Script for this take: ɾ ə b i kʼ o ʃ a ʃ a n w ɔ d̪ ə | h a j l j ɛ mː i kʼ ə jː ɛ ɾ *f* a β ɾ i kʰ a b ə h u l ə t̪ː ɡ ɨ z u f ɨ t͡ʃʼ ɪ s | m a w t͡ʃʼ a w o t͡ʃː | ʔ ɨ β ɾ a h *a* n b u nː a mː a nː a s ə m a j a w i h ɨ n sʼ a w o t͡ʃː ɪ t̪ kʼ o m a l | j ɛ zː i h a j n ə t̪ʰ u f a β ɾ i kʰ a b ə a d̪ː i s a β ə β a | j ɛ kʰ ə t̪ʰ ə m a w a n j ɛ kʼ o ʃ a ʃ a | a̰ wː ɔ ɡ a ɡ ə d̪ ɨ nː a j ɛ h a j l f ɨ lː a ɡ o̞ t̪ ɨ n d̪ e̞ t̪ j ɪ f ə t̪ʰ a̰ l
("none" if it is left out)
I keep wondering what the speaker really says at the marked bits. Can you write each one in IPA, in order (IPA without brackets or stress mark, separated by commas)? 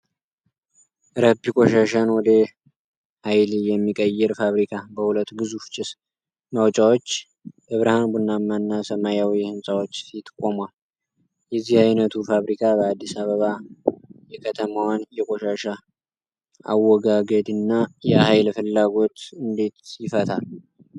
f, a